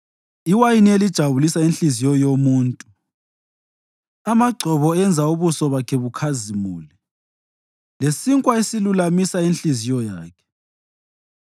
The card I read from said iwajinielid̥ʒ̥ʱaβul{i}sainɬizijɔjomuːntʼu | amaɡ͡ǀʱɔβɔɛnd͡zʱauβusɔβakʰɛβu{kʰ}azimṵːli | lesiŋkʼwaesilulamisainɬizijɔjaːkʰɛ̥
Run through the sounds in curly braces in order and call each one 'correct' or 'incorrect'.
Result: correct, correct

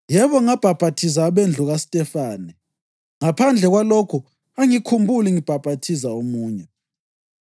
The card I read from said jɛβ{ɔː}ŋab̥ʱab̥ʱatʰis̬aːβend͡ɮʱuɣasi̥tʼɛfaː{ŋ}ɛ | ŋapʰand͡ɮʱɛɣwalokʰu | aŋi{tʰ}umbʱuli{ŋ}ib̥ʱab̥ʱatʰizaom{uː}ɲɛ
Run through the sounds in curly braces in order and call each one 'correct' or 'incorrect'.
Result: incorrect, incorrect, incorrect, correct, correct

